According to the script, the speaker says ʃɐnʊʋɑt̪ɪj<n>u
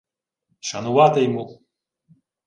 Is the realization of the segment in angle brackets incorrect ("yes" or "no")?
yes